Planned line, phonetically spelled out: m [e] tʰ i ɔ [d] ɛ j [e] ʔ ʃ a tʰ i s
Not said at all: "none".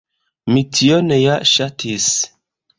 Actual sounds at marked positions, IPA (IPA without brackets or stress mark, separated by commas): i, n, a